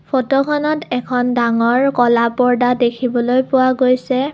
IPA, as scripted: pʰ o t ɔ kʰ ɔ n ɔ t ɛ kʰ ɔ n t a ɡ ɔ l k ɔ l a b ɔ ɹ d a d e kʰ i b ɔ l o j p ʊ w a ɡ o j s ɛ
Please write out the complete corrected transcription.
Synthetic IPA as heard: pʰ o t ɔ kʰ ɔ n ɔ t ɛ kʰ ɔ n d a ŋ ɔ ɹ k ɔ l a p ɔ ɹ d a d e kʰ i b ɔ l o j p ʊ w a ɡ o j s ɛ